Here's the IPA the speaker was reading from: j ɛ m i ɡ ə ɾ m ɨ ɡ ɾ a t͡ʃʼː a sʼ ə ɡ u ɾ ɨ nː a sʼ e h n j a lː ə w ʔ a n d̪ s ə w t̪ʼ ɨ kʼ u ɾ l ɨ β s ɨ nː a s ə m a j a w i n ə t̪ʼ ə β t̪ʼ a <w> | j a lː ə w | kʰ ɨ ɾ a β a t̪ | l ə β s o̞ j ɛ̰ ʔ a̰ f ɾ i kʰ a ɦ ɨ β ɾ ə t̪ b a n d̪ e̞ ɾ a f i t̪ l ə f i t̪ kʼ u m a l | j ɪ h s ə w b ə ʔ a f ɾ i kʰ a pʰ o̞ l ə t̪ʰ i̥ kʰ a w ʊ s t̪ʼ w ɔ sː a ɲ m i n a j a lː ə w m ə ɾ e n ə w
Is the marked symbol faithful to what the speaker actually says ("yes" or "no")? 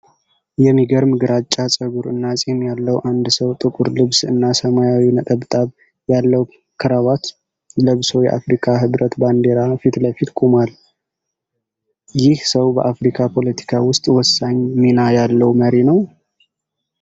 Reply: no